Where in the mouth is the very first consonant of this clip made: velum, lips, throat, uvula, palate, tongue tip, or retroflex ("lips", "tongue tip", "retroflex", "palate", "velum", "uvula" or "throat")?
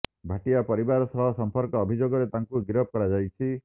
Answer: lips